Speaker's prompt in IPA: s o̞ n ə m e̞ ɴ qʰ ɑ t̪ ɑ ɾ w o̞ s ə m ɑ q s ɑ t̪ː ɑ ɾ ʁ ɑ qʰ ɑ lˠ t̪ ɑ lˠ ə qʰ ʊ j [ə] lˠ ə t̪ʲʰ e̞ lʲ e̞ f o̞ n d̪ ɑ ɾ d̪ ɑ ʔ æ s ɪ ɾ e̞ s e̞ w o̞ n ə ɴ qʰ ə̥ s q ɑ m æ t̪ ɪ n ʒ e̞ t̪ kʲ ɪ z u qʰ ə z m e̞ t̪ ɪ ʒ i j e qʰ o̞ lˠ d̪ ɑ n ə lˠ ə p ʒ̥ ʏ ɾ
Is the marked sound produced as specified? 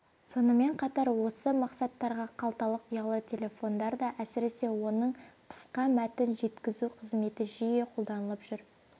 no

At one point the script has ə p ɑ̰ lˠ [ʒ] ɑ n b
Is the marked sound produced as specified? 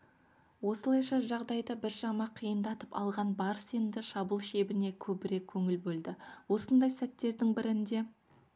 no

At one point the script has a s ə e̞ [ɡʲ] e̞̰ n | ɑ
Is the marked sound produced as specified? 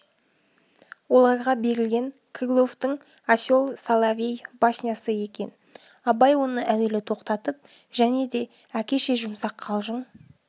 no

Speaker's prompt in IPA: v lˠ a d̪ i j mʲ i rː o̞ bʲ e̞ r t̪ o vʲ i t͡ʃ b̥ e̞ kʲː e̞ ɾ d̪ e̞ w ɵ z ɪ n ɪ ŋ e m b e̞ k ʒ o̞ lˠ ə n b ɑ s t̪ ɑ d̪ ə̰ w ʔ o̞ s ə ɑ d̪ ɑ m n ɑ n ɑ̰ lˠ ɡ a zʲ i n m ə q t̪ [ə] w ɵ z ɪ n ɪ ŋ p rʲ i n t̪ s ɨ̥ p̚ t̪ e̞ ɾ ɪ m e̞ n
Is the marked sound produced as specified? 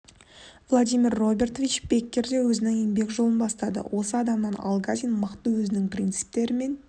yes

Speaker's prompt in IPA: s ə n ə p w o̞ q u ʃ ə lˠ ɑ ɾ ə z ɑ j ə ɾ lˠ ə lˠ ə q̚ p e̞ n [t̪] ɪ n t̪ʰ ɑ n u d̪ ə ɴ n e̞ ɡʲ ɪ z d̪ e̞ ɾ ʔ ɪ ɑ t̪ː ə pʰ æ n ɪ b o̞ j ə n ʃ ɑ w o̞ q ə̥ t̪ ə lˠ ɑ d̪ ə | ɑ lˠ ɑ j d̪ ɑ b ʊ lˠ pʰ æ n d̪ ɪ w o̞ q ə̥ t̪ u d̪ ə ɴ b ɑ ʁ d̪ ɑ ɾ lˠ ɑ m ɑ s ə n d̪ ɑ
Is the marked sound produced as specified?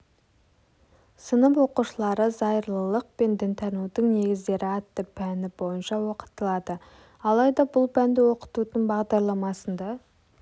no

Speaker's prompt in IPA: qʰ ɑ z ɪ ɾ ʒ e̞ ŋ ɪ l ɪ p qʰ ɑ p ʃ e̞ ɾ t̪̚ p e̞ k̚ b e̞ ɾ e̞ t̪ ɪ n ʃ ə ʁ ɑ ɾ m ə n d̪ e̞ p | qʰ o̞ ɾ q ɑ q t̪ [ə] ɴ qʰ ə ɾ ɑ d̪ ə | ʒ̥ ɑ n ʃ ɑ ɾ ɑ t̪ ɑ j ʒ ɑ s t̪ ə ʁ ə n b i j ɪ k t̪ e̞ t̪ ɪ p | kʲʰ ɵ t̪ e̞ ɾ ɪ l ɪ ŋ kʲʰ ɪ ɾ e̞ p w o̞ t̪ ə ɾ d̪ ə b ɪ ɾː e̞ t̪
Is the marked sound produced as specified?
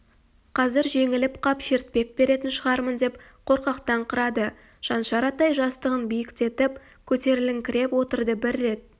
no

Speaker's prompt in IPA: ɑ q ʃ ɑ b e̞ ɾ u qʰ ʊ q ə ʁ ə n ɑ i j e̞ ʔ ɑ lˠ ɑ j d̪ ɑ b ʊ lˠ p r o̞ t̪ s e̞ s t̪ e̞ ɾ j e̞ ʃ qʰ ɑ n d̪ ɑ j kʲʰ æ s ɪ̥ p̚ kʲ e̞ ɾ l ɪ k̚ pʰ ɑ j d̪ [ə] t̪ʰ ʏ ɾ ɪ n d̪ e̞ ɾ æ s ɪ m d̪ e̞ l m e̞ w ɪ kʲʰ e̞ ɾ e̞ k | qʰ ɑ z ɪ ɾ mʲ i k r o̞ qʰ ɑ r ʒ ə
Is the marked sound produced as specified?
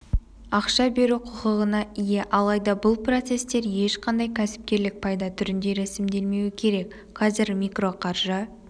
no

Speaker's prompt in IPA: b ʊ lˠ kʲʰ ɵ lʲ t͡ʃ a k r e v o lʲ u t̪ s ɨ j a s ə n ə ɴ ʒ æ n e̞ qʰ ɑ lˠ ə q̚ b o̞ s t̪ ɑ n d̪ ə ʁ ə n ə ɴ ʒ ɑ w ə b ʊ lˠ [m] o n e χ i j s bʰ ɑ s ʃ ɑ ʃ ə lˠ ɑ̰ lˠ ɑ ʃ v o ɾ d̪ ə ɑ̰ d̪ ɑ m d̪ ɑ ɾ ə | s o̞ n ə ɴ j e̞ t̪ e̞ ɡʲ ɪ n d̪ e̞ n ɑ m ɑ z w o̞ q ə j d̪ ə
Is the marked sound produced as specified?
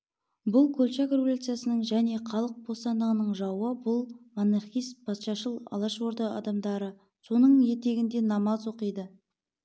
yes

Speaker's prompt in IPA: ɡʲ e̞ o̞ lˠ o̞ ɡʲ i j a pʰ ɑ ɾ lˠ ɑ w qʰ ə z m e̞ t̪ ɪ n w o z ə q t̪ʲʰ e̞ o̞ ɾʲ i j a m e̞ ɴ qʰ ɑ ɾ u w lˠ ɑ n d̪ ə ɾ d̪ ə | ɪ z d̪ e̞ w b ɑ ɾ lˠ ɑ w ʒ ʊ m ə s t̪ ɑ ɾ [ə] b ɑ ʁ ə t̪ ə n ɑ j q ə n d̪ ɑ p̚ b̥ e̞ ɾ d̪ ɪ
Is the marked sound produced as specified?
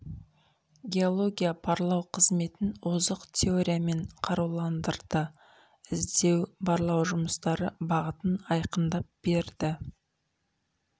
yes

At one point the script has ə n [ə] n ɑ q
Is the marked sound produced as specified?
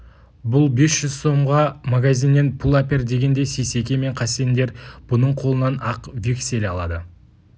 no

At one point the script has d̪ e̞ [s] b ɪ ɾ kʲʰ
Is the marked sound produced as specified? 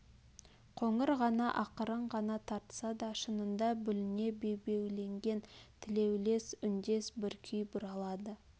yes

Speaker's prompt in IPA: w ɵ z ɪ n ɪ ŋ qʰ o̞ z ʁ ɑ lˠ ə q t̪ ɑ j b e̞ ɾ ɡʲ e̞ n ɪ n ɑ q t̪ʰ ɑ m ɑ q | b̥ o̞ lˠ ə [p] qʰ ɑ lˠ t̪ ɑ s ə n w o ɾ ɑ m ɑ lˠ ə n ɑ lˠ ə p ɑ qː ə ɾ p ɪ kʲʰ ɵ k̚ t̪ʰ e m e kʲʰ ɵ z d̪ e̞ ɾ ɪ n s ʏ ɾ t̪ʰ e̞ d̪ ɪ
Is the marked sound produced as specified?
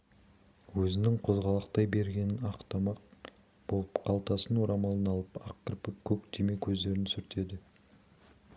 yes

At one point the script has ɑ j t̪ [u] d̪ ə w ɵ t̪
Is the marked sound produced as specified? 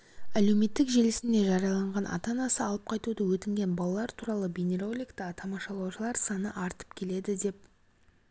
yes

